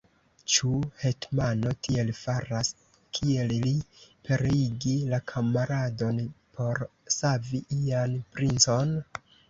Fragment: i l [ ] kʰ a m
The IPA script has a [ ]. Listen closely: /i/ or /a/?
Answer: a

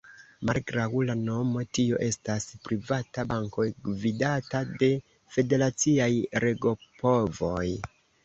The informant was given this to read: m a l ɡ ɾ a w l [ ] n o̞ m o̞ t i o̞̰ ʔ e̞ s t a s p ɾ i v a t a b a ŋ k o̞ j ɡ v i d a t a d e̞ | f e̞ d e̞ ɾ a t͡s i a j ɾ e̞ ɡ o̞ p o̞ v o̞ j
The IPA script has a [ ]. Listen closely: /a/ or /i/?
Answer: a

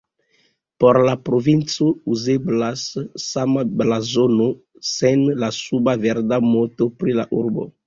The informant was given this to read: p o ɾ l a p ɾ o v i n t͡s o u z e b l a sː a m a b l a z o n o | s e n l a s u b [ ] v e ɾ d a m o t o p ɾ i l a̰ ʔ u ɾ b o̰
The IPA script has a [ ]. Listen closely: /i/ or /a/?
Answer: a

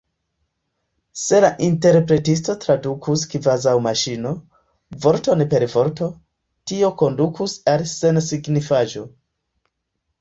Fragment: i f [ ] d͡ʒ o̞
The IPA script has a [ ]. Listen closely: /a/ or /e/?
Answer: a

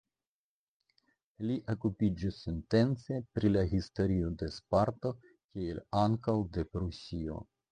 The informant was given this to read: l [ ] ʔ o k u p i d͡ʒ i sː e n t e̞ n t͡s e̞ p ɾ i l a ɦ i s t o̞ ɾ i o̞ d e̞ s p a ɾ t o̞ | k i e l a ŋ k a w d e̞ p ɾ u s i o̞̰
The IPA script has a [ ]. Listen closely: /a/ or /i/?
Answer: i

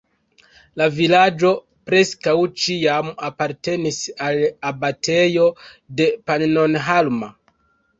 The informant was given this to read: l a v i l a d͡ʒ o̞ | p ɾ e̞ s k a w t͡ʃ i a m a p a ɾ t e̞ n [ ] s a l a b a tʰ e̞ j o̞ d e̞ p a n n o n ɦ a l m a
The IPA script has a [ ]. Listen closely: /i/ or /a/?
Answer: i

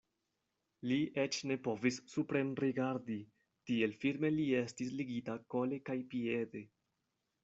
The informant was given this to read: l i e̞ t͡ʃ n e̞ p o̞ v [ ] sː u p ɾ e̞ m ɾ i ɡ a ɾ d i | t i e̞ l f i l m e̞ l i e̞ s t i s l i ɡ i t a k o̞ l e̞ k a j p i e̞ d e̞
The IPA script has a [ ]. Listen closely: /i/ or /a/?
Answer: i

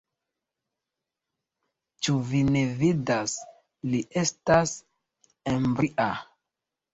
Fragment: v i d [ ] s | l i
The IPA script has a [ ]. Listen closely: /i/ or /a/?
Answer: a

